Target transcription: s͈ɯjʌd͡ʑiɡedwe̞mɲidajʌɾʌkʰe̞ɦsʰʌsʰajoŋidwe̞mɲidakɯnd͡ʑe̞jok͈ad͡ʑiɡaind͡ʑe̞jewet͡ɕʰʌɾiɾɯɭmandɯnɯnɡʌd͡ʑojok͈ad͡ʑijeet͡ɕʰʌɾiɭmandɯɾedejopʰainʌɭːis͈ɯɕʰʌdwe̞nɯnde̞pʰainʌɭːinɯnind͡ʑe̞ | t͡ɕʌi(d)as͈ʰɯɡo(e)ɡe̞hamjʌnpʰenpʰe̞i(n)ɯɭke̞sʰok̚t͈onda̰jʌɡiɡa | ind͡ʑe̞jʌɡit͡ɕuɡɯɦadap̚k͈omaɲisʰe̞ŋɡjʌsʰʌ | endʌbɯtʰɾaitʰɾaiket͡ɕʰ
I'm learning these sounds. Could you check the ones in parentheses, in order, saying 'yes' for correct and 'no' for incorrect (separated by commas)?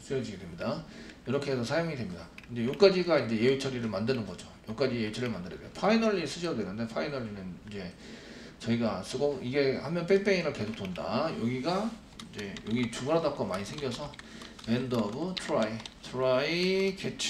no, no, yes